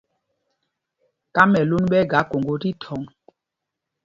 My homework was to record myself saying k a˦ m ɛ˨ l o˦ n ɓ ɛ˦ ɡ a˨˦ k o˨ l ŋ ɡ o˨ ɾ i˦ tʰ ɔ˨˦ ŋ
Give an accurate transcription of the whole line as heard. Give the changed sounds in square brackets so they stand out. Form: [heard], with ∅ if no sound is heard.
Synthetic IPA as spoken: k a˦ m ɛ˨ l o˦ n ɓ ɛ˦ ɡ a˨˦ k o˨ [∅] ŋ ɡ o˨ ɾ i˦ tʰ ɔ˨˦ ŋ